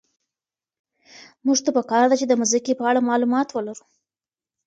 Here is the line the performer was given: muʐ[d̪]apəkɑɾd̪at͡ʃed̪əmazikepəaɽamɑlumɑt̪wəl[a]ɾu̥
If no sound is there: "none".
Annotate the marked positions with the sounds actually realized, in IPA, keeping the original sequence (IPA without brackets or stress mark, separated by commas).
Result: t̪, a